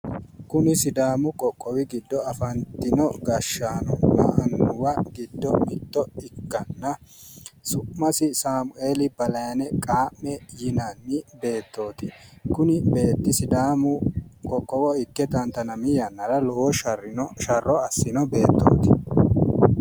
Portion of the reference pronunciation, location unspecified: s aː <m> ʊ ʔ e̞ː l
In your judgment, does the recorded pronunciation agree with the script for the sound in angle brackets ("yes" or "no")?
yes